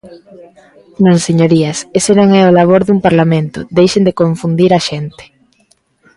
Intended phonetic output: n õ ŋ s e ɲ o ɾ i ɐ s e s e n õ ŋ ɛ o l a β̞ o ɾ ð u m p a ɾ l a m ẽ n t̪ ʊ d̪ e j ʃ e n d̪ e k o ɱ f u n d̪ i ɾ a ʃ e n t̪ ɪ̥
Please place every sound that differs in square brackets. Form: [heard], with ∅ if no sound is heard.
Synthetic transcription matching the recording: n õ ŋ s e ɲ o ɾ i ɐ s e s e n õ ŋ ɛ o l a β̞ o ɾ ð u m p a ɾ l a m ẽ n t̪ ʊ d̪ e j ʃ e n d̪ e k o ɱ f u n d̪ i ɾ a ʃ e n t̪ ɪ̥